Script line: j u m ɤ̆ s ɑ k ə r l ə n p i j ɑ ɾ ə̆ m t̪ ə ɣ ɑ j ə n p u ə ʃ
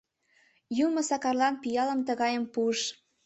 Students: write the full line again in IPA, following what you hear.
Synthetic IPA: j u m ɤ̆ s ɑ k ɑ r l ɑ n p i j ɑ l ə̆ m t̪ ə ɣ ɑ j ə m p u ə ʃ